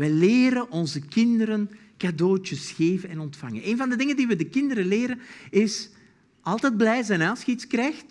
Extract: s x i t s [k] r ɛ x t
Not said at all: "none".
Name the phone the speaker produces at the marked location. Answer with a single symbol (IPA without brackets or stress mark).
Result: k